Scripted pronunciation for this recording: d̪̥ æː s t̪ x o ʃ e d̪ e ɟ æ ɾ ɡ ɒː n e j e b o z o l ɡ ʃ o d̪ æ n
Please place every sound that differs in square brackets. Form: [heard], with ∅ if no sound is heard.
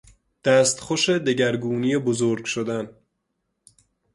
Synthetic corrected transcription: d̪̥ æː s t̪ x o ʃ e d̪ e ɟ æ ɾ ɡ [uː] n [i] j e b o z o [ɾ] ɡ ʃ o d̪ æ n

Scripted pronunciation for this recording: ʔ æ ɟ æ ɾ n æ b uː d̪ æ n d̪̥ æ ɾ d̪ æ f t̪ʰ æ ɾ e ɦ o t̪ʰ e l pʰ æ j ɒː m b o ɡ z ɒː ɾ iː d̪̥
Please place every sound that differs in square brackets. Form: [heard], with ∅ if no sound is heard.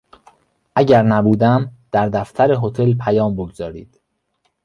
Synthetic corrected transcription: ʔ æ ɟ æ ɾ n æ b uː d̪ æ [m] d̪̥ æ ɾ d̪ æ f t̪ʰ æ ɾ e ɦ o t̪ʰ e l pʰ æ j ɒː m b o ɡ z ɒː ɾ iː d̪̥

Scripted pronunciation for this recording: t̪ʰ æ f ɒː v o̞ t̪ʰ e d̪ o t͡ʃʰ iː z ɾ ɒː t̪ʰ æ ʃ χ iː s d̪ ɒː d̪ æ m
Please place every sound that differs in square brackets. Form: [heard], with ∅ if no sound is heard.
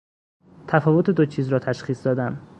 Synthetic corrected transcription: t̪ʰ æ f ɒː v o̞ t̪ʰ e d̪ o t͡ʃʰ iː z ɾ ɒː t̪ʰ æ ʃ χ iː s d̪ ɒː d̪ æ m

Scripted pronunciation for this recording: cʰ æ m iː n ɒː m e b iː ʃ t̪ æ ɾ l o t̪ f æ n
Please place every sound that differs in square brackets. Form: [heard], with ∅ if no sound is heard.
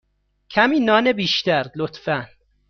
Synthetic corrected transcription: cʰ æ m iː n ɒː [n] e b iː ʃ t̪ æ ɾ l o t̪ f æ n

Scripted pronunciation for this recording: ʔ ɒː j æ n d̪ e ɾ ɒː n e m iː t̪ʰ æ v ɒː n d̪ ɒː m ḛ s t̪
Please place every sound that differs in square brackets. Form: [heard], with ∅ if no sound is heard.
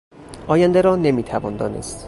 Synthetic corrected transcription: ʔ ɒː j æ n d̪ e ɾ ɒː n e m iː t̪ʰ æ v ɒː n d̪ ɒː [n] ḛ s t̪

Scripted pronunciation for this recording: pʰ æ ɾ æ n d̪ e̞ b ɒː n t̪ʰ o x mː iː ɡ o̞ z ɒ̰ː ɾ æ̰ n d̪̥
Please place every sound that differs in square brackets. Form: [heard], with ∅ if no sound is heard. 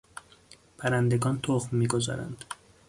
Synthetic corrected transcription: pʰ æ ɾ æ n d̪ e̞ [ɡ] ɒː n t̪ʰ o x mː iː ɡ o̞ z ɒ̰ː ɾ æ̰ n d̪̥

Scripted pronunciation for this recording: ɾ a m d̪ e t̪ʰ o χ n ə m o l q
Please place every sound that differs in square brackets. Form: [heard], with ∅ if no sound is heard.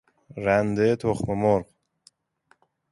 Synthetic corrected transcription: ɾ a [n] d̪ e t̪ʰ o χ [m] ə m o [ɾ] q

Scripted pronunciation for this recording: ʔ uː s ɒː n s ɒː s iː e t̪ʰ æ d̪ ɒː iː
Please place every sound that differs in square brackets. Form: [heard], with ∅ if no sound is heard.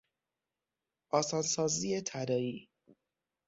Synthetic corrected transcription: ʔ [ɒː] s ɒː n s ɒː [z] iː e t̪ʰ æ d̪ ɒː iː

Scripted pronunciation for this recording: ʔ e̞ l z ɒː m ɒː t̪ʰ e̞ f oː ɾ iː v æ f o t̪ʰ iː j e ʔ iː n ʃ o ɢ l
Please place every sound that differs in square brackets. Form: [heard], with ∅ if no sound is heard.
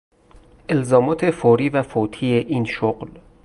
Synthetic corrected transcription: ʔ e̞ l z ɒː m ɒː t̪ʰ e̞ f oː ɾ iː v æ f o t̪ʰ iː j e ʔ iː n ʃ o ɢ l

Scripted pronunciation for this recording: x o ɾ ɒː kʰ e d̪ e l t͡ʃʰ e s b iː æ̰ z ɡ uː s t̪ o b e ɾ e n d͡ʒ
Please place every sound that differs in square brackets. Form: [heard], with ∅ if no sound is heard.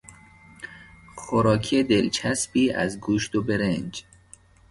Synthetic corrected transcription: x o ɾ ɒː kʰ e d̪ e l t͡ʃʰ [æ] s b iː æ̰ z ɡ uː [ʃ] t̪ o b e ɾ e n d͡ʒ

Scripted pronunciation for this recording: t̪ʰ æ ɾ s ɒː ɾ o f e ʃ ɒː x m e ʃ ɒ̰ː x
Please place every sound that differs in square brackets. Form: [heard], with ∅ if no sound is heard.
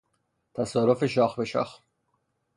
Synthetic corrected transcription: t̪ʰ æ [∅] s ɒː ɾ o f e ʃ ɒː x [b] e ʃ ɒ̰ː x

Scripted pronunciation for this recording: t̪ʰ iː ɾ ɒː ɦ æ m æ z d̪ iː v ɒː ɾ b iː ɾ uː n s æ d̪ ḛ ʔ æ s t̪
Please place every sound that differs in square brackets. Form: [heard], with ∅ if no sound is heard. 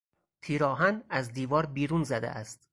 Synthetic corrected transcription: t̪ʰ iː ɾ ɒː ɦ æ [n] æ z d̪ iː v ɒː ɾ b iː ɾ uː n [z] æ d̪ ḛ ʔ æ s t̪

